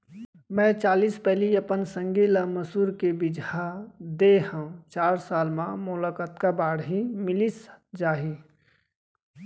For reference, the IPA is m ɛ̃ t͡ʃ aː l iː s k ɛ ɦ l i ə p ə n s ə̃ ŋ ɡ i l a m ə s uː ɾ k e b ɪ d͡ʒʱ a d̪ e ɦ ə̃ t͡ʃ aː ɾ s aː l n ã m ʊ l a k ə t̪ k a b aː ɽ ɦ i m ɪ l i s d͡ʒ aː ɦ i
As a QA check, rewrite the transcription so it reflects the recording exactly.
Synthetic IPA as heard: m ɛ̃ t͡ʃ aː l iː s p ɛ ɦ l i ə p ə n s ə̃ ŋ ɡ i l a m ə s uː ɾ k e b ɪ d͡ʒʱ a d̪ e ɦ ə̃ t͡ʃ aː ɾ s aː l m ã m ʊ l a k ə t̪ k a b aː ɽ ɦ i m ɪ l i s d͡ʒ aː ɦ i